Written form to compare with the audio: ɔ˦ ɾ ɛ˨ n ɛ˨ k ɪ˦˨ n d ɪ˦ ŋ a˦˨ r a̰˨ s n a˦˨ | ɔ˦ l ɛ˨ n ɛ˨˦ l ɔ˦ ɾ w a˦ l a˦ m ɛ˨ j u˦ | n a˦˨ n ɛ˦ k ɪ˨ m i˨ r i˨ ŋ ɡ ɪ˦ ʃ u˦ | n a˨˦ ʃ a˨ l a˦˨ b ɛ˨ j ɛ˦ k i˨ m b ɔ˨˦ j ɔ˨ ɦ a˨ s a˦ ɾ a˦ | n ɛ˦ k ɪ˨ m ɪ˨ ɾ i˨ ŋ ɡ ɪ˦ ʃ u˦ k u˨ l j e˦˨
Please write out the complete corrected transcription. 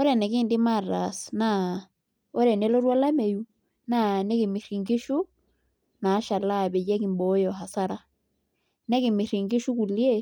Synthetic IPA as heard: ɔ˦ ɾ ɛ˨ n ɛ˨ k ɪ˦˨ n d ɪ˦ m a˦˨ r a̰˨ s n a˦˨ | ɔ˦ ɾ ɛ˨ n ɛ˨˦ l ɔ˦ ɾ w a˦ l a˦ m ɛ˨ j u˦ | n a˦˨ n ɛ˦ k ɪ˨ m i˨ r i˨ ŋ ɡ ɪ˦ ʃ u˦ | n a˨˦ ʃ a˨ l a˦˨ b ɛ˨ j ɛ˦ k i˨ m b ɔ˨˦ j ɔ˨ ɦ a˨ s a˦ ɾ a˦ | n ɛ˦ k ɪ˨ m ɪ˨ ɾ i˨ ŋ ɡ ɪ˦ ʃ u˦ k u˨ l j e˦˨